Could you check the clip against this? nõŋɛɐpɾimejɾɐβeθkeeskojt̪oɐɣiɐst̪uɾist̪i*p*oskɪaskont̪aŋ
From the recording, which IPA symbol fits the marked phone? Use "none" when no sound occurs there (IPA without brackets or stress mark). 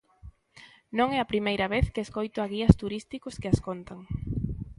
k